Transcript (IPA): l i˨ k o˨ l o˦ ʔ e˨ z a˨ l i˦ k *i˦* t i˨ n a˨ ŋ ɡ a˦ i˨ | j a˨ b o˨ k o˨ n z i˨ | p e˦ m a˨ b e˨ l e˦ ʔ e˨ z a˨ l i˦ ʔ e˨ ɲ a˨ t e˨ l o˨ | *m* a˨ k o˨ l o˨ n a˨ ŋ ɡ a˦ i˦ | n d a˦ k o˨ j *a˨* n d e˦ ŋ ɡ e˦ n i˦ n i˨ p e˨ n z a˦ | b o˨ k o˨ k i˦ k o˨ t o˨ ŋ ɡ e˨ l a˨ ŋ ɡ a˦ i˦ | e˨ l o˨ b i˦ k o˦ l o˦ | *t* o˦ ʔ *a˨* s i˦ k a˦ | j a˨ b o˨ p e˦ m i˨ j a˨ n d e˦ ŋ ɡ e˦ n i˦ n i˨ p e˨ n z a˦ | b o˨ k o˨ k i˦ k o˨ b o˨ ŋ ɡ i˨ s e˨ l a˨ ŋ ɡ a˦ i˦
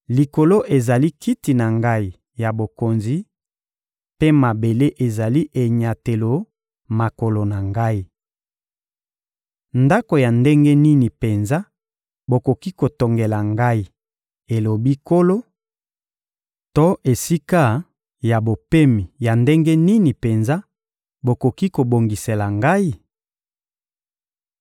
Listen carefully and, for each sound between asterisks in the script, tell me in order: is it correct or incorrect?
correct, correct, correct, correct, incorrect: e˨

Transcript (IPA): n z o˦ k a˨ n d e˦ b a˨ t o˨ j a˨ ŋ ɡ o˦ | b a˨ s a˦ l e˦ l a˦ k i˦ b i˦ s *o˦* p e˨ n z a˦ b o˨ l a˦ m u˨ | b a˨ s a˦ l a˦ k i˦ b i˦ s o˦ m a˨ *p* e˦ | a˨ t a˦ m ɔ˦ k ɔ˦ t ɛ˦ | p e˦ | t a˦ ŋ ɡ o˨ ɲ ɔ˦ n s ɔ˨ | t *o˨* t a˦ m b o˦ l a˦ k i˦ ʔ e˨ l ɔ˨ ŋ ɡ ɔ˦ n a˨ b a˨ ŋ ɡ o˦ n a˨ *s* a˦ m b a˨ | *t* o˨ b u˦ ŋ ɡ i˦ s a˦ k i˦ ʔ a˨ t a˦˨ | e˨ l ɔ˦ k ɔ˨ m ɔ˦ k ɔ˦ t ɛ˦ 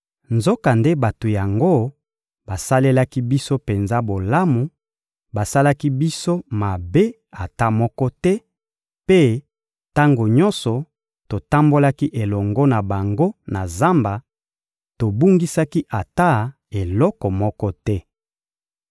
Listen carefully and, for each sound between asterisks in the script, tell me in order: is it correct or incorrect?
correct, incorrect: b, correct, incorrect: z, correct

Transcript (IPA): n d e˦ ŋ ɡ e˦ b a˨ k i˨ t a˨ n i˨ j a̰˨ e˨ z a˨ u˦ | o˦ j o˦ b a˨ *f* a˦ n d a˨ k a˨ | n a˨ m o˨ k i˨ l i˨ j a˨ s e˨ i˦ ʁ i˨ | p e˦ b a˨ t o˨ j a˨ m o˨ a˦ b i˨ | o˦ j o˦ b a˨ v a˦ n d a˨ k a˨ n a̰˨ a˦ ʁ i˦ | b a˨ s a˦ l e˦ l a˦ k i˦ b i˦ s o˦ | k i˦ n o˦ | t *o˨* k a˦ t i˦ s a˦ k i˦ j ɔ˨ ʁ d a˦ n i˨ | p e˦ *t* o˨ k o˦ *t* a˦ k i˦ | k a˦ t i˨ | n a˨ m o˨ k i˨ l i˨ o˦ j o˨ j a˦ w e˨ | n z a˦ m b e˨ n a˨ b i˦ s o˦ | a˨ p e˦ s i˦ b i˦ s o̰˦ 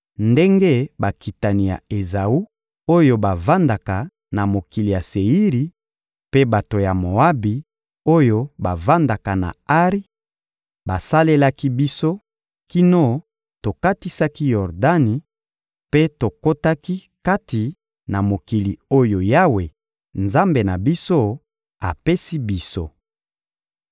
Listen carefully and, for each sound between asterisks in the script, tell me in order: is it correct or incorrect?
incorrect: v, correct, correct, correct

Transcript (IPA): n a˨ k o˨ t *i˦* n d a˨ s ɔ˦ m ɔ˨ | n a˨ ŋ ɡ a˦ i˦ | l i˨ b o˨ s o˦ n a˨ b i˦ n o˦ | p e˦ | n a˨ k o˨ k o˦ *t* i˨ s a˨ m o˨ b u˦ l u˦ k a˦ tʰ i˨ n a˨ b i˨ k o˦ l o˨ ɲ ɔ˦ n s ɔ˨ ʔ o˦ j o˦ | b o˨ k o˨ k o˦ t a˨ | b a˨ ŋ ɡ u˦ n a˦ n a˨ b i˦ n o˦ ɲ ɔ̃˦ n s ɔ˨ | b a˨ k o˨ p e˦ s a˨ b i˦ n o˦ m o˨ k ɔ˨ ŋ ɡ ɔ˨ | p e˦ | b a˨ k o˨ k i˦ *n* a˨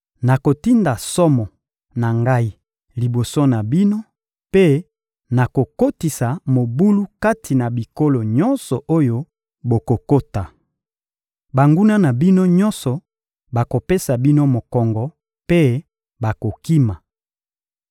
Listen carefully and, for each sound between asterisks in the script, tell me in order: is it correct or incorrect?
correct, correct, incorrect: m

